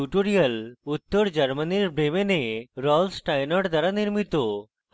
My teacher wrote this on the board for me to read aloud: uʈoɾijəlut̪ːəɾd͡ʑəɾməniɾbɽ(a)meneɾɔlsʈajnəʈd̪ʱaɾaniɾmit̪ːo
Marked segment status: incorrect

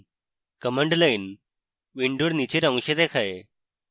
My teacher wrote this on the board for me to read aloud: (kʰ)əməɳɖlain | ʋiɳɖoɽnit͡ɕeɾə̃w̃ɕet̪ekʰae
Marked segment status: incorrect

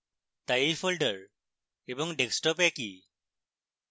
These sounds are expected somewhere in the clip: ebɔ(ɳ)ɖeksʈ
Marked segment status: incorrect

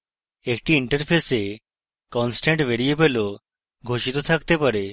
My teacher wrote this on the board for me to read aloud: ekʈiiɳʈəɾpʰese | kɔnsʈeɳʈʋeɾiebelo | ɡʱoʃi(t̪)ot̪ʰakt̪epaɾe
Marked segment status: correct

